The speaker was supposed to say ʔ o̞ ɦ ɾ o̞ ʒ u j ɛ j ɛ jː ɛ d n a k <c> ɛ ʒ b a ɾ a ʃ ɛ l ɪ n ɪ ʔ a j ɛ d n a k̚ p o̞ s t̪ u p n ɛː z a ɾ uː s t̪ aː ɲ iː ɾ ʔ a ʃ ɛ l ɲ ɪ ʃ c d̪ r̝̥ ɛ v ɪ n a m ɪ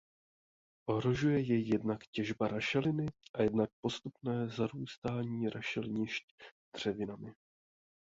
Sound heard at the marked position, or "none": c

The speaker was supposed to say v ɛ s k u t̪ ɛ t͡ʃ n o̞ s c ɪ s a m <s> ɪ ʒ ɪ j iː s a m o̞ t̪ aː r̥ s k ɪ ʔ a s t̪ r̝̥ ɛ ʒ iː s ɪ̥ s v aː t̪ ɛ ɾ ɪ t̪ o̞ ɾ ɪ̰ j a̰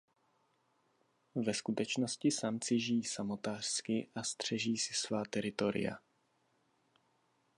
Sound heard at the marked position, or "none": t͡s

